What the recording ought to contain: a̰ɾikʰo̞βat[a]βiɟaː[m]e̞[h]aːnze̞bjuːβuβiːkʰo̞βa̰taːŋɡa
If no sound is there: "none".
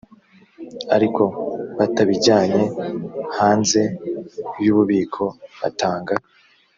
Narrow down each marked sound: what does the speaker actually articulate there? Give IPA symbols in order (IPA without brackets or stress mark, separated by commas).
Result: a, ɲ, h